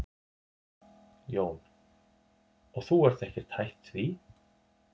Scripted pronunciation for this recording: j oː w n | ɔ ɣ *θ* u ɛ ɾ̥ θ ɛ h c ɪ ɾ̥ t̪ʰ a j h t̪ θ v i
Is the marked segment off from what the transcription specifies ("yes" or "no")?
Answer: no